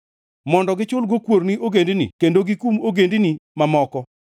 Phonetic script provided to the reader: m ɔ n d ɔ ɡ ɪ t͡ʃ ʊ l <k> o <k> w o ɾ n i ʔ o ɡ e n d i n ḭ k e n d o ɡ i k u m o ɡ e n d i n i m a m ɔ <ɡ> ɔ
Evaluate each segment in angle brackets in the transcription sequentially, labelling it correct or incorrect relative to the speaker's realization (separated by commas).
incorrect, correct, incorrect